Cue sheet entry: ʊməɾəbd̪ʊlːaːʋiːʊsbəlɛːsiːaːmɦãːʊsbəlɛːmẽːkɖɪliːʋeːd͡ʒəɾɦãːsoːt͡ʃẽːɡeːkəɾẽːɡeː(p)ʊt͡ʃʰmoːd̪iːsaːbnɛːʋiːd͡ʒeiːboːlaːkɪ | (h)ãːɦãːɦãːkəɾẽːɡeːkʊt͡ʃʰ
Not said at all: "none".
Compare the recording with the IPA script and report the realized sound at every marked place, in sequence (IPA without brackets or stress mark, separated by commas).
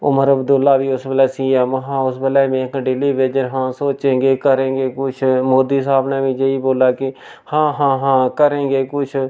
k, h